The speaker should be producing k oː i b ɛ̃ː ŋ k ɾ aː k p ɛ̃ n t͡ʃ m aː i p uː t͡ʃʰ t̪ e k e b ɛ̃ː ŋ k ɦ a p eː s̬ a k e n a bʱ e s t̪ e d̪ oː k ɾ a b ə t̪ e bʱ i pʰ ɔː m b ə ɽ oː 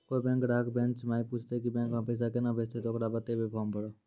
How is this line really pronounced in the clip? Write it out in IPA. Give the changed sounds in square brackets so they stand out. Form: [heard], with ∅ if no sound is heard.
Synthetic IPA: k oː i b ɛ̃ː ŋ k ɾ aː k [b] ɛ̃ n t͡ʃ m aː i p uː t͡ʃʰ t̪ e k [i] b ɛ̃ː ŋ k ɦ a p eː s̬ a k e n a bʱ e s t̪ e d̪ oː k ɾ a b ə t̪ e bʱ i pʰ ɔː m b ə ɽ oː